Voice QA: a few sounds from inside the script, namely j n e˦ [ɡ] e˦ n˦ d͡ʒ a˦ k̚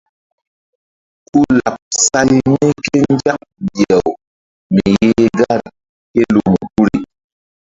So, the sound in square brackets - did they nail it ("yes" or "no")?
no